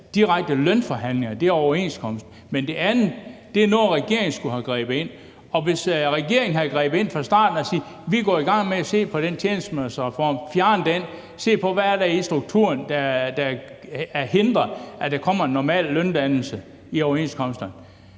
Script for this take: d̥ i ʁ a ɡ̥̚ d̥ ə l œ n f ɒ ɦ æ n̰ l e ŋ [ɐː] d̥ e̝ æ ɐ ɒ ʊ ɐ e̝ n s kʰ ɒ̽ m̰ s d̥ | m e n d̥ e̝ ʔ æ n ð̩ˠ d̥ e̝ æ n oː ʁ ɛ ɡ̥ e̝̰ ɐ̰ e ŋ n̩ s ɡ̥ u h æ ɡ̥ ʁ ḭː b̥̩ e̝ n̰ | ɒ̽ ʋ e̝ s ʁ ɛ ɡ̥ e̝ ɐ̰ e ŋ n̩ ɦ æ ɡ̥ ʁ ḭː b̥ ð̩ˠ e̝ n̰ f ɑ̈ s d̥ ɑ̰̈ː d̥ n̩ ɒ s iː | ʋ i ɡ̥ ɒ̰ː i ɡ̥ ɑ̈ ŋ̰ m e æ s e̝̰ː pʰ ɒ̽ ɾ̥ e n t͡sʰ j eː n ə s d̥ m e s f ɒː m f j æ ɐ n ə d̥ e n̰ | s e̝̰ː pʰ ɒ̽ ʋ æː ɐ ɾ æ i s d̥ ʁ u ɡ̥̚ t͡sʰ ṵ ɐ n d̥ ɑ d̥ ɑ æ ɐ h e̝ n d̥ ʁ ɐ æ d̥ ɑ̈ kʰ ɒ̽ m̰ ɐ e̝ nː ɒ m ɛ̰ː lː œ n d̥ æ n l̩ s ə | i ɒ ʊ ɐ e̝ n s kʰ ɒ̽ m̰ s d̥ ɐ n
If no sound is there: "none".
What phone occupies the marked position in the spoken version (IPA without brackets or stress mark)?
ɐ